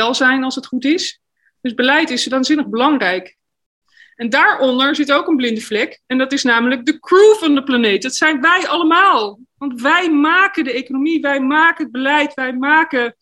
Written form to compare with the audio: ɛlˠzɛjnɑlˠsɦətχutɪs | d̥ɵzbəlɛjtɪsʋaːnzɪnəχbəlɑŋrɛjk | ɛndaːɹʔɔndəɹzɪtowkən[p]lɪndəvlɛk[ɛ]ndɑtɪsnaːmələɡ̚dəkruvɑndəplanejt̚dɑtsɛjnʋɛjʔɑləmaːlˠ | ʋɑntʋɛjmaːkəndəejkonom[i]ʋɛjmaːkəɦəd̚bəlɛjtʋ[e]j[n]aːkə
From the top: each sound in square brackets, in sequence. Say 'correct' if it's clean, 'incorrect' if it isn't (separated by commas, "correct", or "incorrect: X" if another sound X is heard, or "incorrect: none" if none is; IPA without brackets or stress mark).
incorrect: b, correct, correct, incorrect: ɛ, incorrect: m